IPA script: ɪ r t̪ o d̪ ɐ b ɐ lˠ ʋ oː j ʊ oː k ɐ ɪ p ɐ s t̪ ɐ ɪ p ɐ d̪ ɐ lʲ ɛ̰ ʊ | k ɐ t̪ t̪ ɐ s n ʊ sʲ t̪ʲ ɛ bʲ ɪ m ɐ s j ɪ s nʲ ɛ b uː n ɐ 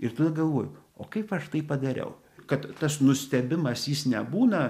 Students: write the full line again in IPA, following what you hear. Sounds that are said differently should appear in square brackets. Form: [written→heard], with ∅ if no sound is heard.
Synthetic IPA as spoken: ɪ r t̪ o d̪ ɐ [b→ɡ] ɐ lˠ ʋ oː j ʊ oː k ɐ ɪ p ɐ [s→ʃ] t̪ ɐ ɪ p ɐ d̪ ɐ [lʲ→ɾʲ] ɛ̰ ʊ | k ɐ t̪ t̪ ɐ s n ʊ sʲ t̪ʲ ɛ bʲ ɪ m ɐ s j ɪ s nʲ ɛ b uː n ɐ